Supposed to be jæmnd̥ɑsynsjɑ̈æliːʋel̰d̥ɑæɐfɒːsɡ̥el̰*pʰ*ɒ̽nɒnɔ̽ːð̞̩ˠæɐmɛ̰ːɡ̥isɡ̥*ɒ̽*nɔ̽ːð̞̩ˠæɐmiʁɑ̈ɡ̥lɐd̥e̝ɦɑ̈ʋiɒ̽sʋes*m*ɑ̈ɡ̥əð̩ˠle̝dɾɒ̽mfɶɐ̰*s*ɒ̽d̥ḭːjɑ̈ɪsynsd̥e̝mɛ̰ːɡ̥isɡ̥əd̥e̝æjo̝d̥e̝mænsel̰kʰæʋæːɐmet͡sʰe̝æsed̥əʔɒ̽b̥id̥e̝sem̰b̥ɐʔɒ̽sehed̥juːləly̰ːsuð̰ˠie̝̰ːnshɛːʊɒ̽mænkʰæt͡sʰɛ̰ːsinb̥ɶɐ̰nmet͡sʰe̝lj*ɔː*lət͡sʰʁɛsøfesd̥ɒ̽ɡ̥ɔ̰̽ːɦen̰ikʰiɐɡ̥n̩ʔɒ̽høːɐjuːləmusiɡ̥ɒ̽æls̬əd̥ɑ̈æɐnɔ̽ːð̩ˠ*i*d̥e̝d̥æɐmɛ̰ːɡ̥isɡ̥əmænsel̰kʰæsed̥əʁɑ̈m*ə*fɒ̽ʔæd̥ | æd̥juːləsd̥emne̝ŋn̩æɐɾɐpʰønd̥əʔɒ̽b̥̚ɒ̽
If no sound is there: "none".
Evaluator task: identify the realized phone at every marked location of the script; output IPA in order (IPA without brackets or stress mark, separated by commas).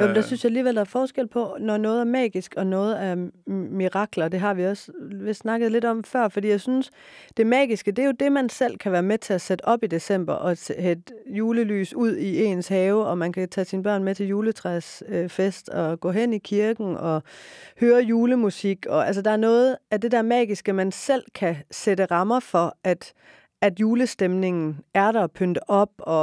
pʰ, ɒ̽, n, f, uː, æ, ɐ